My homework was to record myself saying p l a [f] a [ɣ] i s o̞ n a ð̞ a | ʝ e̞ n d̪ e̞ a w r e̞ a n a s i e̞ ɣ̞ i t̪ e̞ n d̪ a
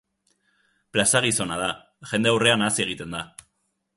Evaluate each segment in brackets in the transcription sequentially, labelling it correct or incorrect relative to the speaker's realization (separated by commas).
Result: incorrect, correct